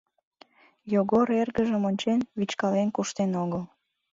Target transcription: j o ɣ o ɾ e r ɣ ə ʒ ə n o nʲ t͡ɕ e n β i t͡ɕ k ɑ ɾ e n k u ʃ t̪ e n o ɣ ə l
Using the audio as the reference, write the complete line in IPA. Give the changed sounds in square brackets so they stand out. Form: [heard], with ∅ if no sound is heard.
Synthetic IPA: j o ɣ o ɾ e r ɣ ə ʒ ə [m] o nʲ t͡ɕ e n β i t͡ɕ k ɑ [l] e n k u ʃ t̪ e n o ɣ ə l